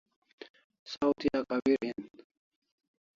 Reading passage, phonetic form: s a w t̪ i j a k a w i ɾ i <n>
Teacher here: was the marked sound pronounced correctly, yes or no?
yes